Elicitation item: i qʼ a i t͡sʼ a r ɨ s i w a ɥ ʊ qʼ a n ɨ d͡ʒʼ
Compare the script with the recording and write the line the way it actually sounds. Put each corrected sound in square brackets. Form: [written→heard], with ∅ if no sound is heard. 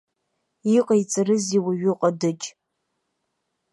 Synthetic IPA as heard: i qʼ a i t͡sʼ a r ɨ [s→z] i w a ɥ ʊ qʼ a [n→d] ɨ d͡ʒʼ